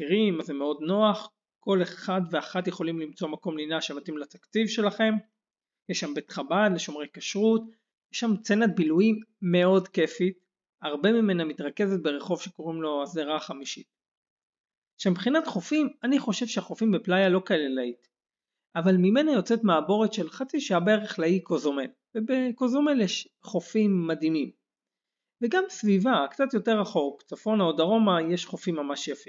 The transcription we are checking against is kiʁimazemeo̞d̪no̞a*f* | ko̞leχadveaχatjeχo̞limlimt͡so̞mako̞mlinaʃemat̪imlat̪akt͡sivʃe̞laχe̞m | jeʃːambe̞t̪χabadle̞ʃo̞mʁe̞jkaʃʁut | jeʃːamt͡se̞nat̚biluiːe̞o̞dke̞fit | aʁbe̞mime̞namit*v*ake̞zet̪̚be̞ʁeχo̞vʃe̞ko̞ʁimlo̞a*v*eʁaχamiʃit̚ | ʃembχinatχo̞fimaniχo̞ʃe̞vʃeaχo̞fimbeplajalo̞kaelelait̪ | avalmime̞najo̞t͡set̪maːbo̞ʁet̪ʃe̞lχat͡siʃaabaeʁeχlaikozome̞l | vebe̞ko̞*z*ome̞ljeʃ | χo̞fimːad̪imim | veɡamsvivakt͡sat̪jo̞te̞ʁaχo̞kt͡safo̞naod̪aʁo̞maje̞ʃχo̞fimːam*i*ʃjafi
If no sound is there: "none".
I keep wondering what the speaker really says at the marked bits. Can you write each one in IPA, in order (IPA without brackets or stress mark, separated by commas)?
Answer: χ, ʁ, z, z, a